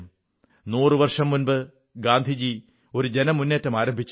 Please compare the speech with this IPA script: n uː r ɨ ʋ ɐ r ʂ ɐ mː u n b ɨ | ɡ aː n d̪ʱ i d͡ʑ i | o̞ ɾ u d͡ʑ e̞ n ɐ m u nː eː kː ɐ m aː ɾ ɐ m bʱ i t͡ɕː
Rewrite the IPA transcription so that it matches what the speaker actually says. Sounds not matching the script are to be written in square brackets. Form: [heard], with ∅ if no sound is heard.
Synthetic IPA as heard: n uː r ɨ ʋ ɐ r ʂ ɐ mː u n b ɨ | ɡ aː n d̪ʱ i d͡ʑ i | o̞ ɾ u d͡ʑ e̞ n ɐ m u nː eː [tː] ɐ m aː ɾ ɐ m bʱ i t͡ɕː